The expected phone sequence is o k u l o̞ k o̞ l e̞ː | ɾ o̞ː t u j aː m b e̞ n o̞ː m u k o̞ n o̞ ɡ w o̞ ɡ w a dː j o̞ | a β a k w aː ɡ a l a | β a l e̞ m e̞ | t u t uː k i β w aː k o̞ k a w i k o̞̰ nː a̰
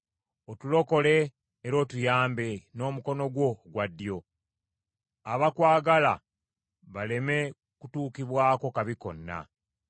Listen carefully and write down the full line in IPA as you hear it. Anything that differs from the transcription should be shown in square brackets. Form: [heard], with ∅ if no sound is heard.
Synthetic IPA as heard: o [t] u l o̞ k o̞ l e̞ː | ɾ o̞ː t u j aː m b e̞ n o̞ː m u k o̞ n o̞ ɡ w o̞ ɡ w a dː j o̞ | a β a k w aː ɡ a l a | β a l e̞ m e̞ | [k] u t uː k i β w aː k o̞ k a [β] i k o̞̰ nː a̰